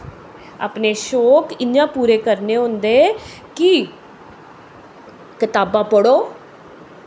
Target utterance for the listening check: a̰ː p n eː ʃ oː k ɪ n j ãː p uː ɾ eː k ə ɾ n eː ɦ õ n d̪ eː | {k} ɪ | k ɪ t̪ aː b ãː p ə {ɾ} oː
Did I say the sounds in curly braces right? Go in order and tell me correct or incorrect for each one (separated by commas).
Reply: correct, incorrect